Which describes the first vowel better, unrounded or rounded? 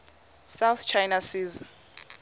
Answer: unrounded